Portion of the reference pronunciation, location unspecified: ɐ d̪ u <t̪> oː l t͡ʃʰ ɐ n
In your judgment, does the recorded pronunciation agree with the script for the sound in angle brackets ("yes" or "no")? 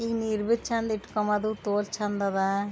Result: yes